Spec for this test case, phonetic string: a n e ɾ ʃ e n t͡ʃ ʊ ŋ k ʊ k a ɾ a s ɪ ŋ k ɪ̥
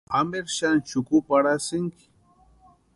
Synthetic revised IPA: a m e ɾ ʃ a n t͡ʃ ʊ k ʊ p a ɾ a s ɪ ŋ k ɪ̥